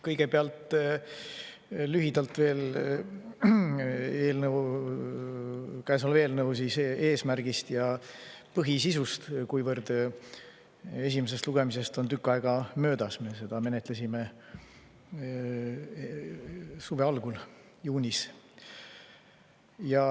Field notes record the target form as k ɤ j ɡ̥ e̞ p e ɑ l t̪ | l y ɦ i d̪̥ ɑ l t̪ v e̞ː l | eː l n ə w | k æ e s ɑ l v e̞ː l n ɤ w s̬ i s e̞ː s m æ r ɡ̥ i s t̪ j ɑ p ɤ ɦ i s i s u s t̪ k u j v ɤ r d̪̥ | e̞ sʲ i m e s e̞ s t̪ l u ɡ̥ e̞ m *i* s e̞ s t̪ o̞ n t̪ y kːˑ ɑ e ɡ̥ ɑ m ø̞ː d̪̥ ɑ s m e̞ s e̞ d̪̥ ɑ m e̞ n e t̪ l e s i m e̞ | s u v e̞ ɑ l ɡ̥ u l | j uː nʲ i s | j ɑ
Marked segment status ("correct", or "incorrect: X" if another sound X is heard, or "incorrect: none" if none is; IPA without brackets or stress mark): correct